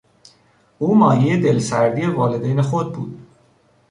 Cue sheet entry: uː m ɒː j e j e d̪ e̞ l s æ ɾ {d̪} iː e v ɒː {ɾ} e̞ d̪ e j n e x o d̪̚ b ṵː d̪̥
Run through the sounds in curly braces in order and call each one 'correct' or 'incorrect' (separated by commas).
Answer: correct, incorrect